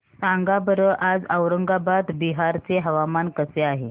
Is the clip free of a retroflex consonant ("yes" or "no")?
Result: yes